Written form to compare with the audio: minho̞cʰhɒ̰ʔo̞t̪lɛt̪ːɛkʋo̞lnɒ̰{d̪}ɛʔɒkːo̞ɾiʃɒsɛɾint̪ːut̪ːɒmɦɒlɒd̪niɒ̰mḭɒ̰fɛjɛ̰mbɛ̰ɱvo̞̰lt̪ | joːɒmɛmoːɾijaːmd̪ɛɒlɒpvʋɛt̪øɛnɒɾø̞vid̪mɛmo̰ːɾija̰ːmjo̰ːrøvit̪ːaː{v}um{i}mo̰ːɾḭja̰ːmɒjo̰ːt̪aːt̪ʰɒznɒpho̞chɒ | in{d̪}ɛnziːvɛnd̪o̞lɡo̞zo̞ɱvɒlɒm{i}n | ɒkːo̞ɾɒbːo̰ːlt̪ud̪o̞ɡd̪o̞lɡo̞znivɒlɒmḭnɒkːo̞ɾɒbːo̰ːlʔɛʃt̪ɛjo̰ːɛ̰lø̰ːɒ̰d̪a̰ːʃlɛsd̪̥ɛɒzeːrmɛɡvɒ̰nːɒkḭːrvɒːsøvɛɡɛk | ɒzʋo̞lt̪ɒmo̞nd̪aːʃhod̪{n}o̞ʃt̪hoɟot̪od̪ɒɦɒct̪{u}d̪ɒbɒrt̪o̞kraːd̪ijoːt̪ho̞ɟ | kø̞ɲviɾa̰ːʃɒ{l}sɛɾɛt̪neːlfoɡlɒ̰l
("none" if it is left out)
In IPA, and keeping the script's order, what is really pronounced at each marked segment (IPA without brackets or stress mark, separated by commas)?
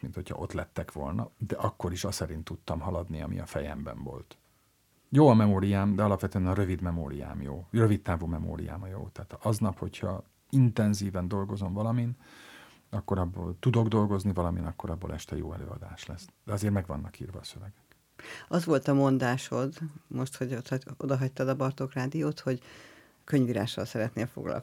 d̪, v, ɛ, t̪, i, m, ɒ, l